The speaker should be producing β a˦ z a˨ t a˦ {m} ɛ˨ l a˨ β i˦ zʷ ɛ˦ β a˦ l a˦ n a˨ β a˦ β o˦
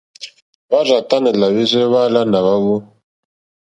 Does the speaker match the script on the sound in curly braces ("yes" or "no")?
no